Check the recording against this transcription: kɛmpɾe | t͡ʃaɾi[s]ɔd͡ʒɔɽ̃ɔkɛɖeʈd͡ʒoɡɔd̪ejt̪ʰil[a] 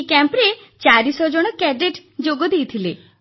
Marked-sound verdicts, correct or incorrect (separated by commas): correct, incorrect